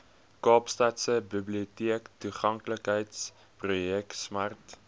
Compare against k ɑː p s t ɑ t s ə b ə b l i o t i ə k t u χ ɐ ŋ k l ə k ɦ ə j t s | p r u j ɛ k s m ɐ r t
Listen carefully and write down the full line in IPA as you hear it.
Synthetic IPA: k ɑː p s t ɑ t s ə b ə b l i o t i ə k t u χ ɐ ŋ k l ə k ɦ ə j t s | p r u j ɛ k s m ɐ r t